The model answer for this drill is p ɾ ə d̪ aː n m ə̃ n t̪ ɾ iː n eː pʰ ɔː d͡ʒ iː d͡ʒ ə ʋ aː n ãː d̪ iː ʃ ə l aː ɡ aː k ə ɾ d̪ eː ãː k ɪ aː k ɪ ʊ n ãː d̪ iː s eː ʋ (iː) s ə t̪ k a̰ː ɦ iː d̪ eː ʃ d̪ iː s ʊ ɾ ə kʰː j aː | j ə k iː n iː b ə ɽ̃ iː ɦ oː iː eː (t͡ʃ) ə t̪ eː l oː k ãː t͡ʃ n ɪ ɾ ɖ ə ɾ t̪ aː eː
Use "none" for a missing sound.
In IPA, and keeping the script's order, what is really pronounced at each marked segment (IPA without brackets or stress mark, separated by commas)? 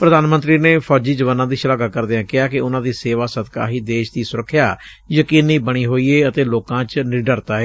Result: aː, none